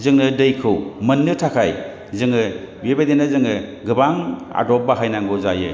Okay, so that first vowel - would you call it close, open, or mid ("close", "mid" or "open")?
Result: close